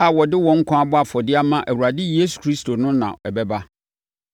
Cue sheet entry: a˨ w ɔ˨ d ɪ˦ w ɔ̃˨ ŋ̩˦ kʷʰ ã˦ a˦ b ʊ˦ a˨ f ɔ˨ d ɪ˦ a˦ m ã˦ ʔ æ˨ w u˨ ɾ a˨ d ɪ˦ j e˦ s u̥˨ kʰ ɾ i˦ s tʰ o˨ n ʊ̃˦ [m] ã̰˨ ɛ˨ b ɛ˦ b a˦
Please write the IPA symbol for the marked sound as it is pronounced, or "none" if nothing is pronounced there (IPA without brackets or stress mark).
n